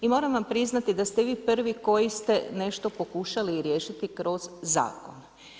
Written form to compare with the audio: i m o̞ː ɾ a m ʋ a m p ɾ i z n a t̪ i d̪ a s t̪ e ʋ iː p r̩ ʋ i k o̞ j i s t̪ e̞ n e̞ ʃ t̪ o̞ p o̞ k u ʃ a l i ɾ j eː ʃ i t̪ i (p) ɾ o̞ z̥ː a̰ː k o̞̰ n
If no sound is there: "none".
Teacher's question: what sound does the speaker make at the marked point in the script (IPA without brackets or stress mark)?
k